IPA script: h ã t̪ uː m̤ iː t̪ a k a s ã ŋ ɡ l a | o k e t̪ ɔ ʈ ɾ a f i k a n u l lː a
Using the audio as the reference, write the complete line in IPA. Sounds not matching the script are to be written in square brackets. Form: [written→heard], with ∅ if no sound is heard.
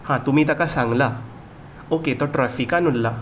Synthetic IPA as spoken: h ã t̪ [uː→u] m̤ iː t̪ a k a s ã ŋ ɡ l a | o k e t̪ ɔ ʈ ɾ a f i k a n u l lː a